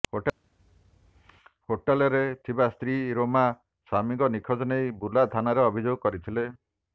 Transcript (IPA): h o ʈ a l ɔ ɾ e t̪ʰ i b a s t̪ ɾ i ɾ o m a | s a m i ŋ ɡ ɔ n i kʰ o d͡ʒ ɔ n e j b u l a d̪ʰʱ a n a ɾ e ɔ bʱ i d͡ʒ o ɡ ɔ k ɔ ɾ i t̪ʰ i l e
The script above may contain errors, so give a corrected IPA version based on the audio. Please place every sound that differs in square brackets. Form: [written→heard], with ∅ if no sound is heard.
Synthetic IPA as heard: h o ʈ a l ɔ ɾ e t̪ʰ i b a s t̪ ɾ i ɾ o m a | s a m i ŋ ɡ ɔ n i kʰ [o→ɔ] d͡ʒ ɔ n e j b u l a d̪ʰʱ a n a ɾ e ɔ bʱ i d͡ʒ o ɡ ɔ k ɔ ɾ i t̪ʰ i l e